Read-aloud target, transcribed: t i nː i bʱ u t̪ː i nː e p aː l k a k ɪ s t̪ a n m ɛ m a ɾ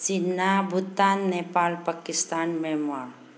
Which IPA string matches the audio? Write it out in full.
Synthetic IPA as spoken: t͡ʃ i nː a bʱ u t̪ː a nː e p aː l p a k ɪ s t̪ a n m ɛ m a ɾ